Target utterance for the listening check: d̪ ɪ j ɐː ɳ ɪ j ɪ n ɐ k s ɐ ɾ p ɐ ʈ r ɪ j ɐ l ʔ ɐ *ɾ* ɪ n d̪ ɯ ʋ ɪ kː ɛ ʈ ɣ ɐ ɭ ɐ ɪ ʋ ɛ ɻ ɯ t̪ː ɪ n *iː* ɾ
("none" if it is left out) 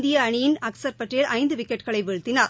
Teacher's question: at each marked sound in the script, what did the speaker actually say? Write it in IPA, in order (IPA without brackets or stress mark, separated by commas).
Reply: none, aː